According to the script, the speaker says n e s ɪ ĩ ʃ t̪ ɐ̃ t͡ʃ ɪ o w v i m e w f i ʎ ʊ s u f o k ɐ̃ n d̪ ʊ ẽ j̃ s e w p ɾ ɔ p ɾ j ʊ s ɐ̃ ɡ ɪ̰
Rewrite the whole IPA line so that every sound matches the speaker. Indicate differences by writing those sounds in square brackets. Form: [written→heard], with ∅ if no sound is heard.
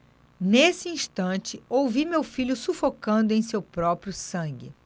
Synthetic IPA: n e s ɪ ĩ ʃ t̪ ɐ̃ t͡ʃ ɪ o w v i m e w f i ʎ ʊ s u f o k ɐ̃ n d̪ ʊ ẽ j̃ s e w p ɾ ɔ p ɾ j ʊ s ɐ̃ ɡ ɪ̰